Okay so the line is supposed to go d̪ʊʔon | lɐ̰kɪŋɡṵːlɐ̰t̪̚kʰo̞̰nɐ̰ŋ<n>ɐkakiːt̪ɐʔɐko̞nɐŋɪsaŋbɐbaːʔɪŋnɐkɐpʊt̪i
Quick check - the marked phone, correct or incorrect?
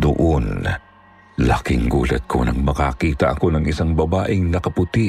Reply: incorrect